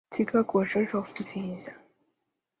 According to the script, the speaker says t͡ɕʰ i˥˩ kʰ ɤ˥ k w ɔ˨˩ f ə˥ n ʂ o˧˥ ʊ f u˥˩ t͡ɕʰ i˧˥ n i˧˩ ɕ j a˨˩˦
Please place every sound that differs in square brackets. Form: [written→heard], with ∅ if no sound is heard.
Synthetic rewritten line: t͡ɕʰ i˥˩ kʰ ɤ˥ k w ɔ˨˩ [f→ʂ] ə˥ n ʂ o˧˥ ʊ f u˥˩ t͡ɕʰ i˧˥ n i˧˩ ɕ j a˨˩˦